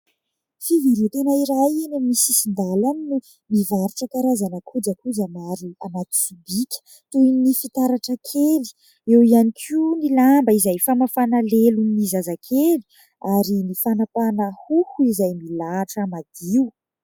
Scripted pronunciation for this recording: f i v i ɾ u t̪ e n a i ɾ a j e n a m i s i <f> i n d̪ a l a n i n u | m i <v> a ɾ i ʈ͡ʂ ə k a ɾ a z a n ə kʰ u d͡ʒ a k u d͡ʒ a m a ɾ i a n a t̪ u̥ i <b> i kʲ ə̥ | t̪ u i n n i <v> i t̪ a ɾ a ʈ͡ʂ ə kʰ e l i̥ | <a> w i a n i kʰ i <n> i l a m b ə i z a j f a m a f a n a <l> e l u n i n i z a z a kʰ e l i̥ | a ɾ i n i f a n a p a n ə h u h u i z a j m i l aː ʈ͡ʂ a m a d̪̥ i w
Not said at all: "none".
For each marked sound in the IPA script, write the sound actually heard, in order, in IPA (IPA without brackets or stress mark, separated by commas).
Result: s, v, b, f, e, n, l